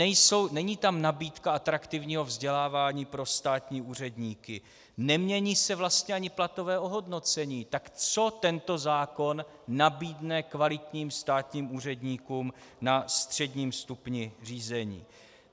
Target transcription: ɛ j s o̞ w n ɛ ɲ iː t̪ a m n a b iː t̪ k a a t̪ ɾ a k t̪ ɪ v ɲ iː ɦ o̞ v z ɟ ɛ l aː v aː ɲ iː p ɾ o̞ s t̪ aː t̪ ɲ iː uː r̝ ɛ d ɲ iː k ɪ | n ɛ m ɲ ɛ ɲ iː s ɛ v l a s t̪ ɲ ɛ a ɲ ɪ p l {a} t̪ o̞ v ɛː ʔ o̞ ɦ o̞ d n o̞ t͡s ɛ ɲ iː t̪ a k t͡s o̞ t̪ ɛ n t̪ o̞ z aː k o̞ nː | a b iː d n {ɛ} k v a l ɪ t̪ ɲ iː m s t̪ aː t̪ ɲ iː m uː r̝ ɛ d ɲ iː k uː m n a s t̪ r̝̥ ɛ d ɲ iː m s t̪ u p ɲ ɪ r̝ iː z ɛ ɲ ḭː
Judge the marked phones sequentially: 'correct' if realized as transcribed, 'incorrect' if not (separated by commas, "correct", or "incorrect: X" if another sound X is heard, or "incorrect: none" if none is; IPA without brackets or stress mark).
correct, correct